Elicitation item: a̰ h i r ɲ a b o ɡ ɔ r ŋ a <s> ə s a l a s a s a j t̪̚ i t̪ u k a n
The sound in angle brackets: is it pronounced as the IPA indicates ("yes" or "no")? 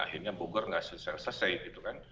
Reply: yes